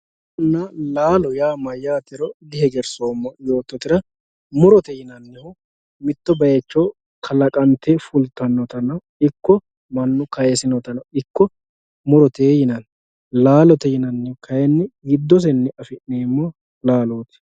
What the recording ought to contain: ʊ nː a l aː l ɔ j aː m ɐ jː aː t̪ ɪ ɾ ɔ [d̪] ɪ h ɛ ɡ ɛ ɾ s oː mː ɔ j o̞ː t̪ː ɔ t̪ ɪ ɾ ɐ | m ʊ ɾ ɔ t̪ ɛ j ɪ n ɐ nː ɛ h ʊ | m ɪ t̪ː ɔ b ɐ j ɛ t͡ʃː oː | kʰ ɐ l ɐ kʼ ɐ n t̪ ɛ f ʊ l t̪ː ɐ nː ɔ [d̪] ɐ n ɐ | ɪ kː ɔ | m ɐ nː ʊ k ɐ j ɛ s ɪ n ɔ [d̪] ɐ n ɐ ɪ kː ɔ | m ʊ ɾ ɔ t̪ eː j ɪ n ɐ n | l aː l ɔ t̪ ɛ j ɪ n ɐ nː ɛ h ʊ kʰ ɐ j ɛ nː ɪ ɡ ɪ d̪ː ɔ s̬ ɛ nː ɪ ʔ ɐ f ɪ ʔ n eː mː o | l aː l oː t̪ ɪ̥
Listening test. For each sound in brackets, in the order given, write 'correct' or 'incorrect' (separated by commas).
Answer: correct, incorrect, incorrect